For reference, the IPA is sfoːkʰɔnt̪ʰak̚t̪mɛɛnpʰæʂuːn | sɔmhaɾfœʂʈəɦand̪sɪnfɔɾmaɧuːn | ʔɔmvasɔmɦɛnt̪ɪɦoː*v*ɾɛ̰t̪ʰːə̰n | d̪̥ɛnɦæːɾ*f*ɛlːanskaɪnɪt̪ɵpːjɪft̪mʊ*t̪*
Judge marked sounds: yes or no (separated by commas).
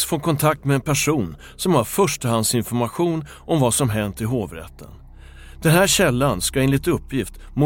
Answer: yes, no, no